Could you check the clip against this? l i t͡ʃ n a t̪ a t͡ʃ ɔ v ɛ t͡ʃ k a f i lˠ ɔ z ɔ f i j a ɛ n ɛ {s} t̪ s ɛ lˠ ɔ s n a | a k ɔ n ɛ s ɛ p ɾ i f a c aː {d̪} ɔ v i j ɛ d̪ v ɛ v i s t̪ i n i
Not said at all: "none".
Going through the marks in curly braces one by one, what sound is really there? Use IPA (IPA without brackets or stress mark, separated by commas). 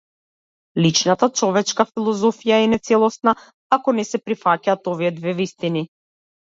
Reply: none, t̪